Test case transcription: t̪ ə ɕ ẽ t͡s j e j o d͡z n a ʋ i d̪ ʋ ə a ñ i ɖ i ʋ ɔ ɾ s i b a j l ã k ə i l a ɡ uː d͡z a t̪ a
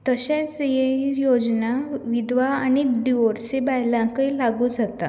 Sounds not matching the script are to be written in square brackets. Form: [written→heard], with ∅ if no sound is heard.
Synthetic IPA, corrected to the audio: t̪ ə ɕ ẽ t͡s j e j o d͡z n a ʋ i d̪ ʋ [ə→a] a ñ i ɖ i ʋ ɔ ɾ s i b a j l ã k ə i l a ɡ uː d͡z a t̪ a